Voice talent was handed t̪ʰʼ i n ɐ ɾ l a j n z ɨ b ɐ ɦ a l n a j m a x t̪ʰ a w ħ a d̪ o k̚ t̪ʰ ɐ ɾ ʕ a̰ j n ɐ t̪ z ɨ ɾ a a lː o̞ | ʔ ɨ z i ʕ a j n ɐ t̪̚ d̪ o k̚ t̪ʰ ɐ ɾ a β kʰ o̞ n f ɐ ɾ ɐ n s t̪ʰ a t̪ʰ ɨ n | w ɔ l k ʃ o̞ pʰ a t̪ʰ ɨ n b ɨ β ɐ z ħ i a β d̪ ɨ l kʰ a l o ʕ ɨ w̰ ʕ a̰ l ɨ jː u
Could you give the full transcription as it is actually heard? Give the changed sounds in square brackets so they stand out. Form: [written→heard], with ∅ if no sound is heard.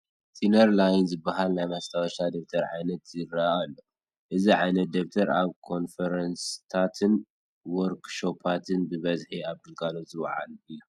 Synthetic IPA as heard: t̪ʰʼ i n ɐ ɾ l a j n z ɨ b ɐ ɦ a l n a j m a [x→s] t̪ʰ a w [ħ→ʃ] a d̪ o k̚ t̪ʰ ɐ ɾ ʕ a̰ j n ɐ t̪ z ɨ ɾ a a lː o̞ | ʔ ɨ z i ʕ a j n ɐ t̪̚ d̪ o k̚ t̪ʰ ɐ ɾ a β kʰ o̞ n f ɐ ɾ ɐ n s t̪ʰ a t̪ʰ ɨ n | w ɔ [l→ɾ] k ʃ o̞ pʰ a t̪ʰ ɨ n b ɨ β ɐ z ħ i a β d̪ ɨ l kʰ a l o [ʕ→z] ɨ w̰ ʕ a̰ l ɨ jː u